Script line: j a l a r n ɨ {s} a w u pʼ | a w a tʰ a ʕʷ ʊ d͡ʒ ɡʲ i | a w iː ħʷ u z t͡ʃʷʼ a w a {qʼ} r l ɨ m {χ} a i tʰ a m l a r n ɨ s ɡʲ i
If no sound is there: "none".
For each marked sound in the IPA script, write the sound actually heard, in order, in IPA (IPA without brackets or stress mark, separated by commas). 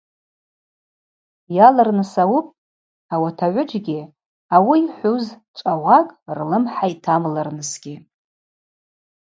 s, kʼ, ħ